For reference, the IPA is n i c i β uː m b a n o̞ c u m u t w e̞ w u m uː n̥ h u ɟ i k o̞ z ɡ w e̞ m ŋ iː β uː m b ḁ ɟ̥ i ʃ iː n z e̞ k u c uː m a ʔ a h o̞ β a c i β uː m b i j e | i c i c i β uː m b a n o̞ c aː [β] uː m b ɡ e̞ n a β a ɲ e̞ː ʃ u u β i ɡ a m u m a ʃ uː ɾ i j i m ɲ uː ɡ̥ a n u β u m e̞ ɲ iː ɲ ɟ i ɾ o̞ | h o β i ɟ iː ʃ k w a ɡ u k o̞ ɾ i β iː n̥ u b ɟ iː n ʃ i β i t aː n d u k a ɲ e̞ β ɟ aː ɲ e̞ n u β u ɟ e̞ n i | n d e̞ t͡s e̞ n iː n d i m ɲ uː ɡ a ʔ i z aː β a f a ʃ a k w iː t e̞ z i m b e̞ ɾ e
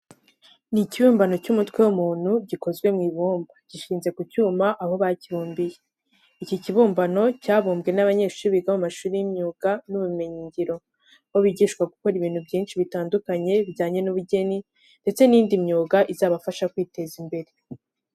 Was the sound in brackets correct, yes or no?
yes